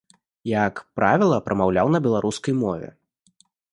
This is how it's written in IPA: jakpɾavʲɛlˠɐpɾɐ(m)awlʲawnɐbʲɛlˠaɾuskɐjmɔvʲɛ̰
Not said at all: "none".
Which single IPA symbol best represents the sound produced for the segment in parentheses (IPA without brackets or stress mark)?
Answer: m